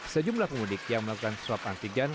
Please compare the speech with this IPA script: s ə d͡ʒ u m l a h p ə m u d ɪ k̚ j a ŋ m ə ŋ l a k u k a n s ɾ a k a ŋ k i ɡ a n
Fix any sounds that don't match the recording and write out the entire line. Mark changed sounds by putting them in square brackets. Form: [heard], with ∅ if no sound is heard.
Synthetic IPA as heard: s ə d͡ʒ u m l a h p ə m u d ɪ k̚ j a ŋ m ə [∅] l a k u k a n s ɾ a [p] a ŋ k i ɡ a n